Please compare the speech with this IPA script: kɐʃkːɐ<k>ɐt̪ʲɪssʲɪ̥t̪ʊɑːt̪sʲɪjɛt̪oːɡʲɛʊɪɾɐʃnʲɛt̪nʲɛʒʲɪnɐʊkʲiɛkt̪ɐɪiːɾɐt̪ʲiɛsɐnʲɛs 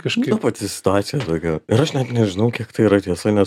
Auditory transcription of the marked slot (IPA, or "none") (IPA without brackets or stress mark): p